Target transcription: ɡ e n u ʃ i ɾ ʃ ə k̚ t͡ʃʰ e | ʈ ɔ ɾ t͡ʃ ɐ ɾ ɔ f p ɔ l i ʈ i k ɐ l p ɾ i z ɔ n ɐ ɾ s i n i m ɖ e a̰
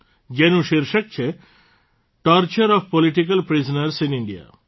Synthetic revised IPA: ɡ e n u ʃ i ɾ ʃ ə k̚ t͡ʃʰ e | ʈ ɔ ɾ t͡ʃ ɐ ɾ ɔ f p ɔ l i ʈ i k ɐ l p ɾ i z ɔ n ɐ ɾ s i n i ɳ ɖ i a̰